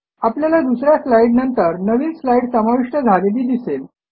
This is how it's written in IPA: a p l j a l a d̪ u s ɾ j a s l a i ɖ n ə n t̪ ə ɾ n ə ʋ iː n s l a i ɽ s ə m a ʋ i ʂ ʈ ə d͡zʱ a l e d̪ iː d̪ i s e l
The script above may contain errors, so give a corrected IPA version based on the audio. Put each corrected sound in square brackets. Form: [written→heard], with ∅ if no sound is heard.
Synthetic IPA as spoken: a p l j a l a d̪ u s ɾ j a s l a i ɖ n ə n t̪ ə ɾ n ə ʋ iː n s l a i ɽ s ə m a ʋ i ʂ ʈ ə d͡zʱ a l e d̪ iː d̪ i s e l